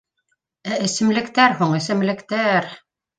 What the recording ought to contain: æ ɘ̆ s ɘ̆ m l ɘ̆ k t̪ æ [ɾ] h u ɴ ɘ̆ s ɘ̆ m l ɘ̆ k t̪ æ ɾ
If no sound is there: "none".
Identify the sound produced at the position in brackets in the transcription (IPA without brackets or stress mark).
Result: ɾ